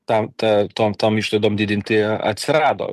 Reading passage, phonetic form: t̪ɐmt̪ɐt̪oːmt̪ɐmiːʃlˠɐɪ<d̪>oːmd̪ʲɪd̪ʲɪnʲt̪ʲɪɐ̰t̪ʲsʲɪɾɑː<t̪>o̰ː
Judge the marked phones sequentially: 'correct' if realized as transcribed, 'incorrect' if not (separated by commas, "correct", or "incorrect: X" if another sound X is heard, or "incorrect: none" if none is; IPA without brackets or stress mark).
correct, incorrect: d̪